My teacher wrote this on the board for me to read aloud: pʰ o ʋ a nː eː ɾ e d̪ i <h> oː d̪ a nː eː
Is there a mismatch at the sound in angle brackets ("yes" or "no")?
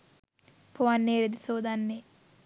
yes